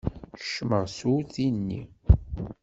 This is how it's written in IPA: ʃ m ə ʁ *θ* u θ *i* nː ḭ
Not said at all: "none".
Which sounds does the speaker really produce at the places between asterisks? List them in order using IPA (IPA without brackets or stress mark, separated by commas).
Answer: s, i